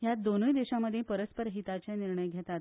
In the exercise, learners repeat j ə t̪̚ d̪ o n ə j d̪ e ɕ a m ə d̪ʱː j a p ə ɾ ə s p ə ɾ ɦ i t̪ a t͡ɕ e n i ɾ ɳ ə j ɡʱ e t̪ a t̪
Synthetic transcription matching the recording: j a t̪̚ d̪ o n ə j d̪ e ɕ a m ə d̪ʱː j e p ə ɾ ə s p ə ɾ ɦ i t̪ a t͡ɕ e n i ɾ ɳ ə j ɡʱ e t̪ a t̪